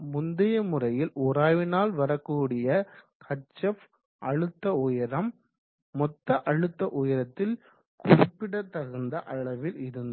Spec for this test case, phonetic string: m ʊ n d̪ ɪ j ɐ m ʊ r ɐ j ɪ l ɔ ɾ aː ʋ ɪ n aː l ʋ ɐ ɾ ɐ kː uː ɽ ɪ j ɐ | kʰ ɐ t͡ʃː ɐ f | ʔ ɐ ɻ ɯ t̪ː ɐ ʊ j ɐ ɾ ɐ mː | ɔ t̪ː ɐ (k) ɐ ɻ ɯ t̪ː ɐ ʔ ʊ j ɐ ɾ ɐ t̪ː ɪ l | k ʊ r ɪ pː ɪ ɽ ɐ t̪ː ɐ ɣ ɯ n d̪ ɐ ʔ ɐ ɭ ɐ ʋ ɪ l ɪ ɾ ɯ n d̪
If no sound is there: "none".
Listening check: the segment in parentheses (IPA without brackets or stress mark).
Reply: ʔ